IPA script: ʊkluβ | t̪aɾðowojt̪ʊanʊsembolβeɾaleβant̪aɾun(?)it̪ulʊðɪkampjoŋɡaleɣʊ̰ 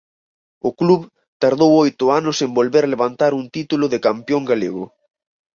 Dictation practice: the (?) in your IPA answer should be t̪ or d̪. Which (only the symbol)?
t̪